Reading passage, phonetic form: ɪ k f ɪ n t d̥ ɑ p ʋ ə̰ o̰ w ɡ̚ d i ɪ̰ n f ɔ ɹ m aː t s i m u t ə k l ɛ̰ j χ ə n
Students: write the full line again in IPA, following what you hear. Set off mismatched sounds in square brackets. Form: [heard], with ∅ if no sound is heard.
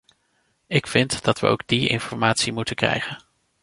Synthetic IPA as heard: ɪ k f ɪ n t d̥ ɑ [t] ʋ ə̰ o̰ w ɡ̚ d i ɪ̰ n f ɔ ɹ m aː t s i m u t ə k [r] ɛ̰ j χ ə n

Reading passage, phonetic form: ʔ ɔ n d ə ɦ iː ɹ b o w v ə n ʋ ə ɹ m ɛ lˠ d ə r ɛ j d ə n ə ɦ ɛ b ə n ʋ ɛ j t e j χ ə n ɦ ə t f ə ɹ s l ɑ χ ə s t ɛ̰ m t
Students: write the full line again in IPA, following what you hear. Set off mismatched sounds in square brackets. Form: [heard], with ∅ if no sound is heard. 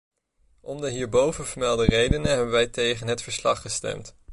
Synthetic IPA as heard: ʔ ɔ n d ə ɦ iː ɹ b o w v ə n [v] ə ɹ m ɛ lˠ d ə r [e] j d ə n ə ɦ ɛ b ə n ʋ ɛ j t e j χ ə n ɦ ə t f ə ɹ s l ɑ χ ə s t ɛ̰ m t

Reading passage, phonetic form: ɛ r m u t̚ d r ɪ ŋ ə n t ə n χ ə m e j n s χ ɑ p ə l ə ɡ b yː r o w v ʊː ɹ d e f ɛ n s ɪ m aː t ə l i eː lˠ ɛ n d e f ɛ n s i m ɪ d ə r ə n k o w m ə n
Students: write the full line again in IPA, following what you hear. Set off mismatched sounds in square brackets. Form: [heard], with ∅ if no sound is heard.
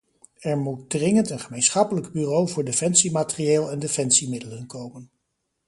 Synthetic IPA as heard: ɛ [ɹ] m u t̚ d r ɪ ŋ ə n t ə n χ ə m e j n s χ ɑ p ə l ə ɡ b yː r o w v ʊː ɹ d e f ɛ n s [i] m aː t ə [r] i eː lˠ ɛ n d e f ɛ n s i m ɪ d ə [l] ə n k o w m ə n

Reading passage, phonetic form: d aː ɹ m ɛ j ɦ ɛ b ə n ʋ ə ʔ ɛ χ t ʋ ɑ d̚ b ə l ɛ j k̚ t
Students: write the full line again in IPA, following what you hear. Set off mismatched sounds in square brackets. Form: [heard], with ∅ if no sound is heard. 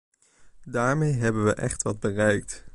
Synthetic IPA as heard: d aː ɹ m [e] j ɦ ɛ b ə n ʋ ə ʔ ɛ χ t ʋ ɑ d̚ b ə [r] ɛ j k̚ t

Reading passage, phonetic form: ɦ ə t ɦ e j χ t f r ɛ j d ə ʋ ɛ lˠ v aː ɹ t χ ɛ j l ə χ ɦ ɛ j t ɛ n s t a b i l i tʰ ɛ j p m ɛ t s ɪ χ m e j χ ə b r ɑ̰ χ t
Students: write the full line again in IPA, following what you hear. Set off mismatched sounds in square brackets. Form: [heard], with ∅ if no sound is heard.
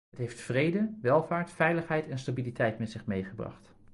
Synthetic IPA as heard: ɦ ə t ɦ e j [f] t f r [e] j d ə ʋ ɛ lˠ v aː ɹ t [f] ɛ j l ə χ ɦ ɛ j t ɛ n s t a b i l i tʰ ɛ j [t] m ɛ t s ɪ χ m e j χ ə b r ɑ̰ χ t

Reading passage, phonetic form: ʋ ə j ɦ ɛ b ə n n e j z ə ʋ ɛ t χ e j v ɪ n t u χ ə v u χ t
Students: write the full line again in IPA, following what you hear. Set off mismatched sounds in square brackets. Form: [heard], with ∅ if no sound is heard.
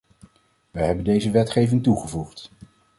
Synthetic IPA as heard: ʋ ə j ɦ ɛ b ə n [d] e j z ə ʋ ɛ t χ e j v ɪ [ŋ] t u χ ə v u χ t

